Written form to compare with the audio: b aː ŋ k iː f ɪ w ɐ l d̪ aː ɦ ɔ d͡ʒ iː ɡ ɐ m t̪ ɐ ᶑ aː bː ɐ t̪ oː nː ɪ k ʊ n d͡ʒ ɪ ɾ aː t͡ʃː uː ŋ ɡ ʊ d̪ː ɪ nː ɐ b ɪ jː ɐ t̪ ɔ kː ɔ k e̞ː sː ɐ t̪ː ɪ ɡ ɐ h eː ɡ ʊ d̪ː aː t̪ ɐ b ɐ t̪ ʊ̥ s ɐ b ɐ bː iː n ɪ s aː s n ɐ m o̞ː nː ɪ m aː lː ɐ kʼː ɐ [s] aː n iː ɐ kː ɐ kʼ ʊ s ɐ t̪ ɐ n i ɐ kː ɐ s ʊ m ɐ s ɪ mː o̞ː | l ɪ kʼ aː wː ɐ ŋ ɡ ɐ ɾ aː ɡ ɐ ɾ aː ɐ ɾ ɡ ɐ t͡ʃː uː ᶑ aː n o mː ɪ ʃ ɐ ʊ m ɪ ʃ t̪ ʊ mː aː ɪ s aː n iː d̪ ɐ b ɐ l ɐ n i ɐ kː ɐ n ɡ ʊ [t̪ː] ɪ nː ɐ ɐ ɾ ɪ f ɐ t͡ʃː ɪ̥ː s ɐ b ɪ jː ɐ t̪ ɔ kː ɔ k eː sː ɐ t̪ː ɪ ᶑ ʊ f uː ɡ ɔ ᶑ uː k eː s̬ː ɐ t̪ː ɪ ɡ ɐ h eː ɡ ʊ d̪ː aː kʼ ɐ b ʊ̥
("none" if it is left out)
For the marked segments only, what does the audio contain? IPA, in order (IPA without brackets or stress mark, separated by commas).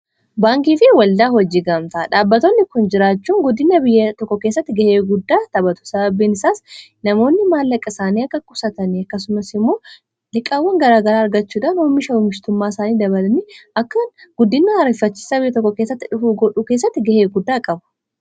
s, d̪ː